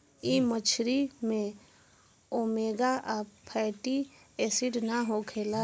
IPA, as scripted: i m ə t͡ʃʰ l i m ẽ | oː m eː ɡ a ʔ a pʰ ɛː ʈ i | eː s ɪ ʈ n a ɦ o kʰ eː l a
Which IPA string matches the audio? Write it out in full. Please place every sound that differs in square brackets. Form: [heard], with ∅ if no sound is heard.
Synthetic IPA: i m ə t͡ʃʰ [ɾ] i m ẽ | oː m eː ɡ a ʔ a pʰ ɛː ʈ i | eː s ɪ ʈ n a ɦ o kʰ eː l a